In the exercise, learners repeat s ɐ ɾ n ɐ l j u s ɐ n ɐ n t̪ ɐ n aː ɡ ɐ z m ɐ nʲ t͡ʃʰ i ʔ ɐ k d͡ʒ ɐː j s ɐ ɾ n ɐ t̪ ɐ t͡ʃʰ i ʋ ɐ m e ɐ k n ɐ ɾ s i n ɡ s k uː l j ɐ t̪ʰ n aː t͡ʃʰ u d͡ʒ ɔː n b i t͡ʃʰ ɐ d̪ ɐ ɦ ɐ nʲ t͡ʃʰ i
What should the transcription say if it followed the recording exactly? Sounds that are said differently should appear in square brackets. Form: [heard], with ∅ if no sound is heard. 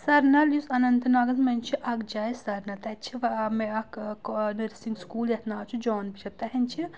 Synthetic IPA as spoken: s ɐ ɾ n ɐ l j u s ɐ n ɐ n t̪ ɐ n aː ɡ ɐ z m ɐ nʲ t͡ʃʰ i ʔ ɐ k d͡ʒ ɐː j s ɐ ɾ n ɐ t̪ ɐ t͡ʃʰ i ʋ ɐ m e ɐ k n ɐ ɾ s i [ŋ] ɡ s k uː l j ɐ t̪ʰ n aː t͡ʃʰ u d͡ʒ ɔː n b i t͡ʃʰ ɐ [t̪] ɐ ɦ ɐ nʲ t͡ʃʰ i